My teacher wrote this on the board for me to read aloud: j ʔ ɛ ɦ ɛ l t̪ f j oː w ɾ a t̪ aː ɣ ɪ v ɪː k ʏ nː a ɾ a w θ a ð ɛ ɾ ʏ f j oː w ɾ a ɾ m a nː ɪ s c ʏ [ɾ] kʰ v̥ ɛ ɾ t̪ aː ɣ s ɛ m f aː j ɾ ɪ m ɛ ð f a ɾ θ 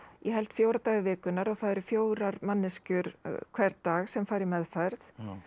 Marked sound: correct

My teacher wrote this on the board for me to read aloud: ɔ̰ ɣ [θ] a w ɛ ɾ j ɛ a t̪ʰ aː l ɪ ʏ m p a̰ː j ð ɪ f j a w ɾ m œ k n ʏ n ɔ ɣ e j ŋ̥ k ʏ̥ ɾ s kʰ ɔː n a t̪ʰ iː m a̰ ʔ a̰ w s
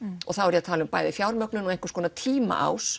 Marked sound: correct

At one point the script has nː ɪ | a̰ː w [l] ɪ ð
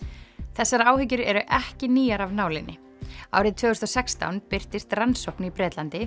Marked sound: incorrect: ɾ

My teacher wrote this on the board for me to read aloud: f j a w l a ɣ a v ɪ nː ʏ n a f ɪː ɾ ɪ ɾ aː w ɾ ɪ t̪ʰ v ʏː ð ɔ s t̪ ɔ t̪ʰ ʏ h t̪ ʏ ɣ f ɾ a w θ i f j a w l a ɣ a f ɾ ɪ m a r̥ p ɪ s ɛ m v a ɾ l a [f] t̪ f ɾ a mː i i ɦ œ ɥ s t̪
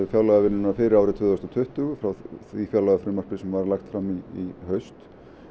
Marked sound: incorrect: x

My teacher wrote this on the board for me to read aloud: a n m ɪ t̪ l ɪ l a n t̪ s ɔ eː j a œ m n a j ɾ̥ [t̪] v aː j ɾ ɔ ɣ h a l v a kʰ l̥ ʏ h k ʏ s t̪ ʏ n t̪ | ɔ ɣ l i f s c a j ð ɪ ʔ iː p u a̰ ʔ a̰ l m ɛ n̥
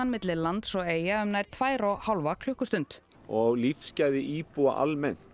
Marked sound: incorrect: t̪ʰ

